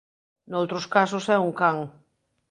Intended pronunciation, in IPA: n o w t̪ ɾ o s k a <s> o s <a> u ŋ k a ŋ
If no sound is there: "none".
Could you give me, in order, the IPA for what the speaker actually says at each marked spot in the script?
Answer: s, ɛ

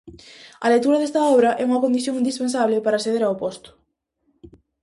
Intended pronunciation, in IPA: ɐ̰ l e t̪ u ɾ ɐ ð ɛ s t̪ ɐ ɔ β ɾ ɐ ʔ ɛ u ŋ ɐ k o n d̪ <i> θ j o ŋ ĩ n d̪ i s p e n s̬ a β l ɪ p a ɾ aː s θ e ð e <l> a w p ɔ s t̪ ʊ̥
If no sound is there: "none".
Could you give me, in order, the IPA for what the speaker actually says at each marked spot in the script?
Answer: i, ɾ

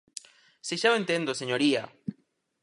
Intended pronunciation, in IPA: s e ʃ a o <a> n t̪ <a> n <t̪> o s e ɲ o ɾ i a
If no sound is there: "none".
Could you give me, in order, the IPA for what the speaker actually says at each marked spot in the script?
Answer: e, e, d̪

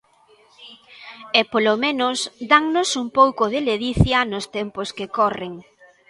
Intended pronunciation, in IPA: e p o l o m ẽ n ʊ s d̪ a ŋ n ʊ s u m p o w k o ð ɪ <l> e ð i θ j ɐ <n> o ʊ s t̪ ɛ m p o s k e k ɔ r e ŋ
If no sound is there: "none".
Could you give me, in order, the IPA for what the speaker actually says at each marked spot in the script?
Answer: l, n

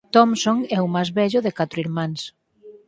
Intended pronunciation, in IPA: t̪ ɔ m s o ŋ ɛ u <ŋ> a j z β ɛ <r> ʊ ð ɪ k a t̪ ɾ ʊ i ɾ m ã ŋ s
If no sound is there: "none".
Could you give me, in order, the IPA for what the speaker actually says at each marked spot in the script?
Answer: m, ʎ

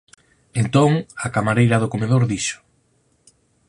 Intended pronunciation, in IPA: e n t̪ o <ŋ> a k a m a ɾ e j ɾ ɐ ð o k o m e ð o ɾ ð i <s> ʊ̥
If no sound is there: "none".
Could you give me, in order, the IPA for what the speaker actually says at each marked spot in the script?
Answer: ŋ, ʃ

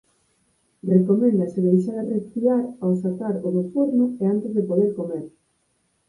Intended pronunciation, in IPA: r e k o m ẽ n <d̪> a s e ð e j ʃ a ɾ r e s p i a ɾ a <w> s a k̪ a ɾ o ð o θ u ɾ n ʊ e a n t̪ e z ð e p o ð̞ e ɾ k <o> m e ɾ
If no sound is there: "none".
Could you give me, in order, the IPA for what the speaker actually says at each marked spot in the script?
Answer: d̪, w, o

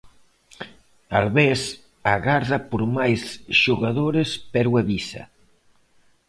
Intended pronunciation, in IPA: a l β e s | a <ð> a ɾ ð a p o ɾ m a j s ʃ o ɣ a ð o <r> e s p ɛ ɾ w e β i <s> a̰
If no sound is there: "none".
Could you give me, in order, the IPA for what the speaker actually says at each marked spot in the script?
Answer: ɣ, ɾ, s

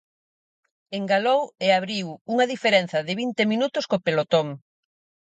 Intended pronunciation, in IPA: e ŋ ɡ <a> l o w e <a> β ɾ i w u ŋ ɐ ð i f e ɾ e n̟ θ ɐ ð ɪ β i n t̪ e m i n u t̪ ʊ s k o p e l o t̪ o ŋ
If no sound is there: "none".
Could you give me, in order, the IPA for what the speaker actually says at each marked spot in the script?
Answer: a, a

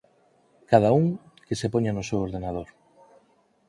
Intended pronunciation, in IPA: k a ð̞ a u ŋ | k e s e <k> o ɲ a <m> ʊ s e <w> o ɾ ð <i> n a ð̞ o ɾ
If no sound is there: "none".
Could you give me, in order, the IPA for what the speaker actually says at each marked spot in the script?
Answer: p, n, w, e

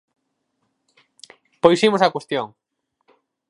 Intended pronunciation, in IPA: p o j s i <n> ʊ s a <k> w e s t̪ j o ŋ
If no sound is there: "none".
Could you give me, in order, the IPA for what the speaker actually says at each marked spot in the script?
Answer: m, k

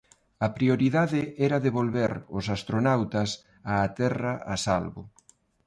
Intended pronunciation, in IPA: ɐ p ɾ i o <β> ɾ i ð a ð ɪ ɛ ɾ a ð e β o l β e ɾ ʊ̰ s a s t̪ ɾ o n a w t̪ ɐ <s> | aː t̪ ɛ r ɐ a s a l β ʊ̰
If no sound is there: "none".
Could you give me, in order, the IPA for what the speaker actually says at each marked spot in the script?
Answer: none, s

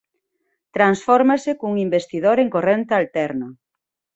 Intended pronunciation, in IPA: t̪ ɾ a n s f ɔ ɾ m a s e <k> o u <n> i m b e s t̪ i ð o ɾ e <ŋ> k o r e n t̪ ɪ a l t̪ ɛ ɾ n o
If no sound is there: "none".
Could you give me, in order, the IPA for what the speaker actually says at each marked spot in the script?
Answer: k, ŋ, ŋ

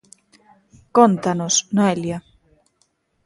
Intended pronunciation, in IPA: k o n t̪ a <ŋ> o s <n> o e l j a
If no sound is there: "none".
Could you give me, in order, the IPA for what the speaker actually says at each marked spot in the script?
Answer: n, n

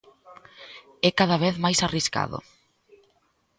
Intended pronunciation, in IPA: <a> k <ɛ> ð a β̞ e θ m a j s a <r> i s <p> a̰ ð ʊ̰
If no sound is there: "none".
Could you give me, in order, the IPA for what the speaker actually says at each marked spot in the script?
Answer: ɛ, a, r, k

